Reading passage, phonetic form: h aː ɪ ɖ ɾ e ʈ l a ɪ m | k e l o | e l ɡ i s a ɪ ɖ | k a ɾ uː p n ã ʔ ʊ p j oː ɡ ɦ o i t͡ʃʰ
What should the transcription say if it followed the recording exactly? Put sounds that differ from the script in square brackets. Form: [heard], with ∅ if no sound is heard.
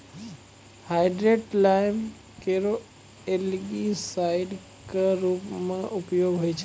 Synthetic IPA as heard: h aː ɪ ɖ ɾ e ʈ l a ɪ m | k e [ɾ] o | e l ɡ i s a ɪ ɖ | k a ɾ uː p [m] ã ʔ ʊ p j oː ɡ ɦ o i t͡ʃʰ